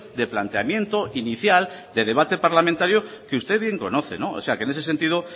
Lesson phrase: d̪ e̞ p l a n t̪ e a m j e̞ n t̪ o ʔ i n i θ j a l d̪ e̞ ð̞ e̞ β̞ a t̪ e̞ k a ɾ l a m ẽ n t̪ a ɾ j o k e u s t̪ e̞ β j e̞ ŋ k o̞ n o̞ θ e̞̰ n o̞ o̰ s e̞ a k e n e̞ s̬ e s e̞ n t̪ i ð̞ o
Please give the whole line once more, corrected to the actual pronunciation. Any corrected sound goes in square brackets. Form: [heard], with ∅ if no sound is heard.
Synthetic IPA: d̪ e̞ p l a n t̪ e a m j e̞ n t̪ o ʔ i n i θ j a l d̪ e̞ ð̞ e̞ β̞ a t̪ e̞ [p] a ɾ l a m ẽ n t̪ a ɾ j o k e u s t̪ e̞ β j e̞ ŋ k o̞ n o̞ θ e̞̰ n o̞ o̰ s e̞ a k e n e̞ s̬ e s e̞ n t̪ i ð̞ o